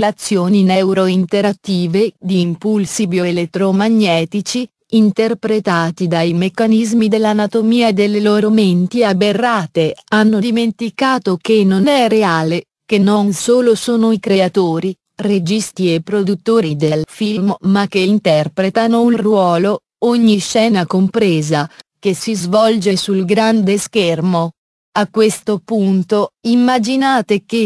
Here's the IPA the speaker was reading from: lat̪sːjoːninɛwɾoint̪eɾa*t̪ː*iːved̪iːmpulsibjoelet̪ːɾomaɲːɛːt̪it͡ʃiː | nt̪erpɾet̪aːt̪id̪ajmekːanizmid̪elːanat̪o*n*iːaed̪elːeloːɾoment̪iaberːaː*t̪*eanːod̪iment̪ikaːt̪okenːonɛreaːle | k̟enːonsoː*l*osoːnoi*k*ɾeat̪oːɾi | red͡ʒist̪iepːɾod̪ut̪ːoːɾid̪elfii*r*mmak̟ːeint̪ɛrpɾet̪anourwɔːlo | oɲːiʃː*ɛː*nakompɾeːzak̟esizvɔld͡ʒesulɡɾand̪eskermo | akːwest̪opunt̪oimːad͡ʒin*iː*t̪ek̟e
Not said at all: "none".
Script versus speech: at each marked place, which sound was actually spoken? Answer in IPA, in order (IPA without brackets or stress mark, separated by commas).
t̪ː, m, t̪, l, k, l, ɛː, aː